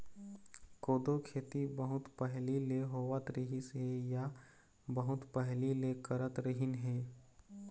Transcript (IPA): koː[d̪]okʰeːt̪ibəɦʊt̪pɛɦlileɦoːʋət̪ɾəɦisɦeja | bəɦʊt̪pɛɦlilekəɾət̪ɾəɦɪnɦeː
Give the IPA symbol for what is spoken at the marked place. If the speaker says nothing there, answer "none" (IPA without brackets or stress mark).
d̪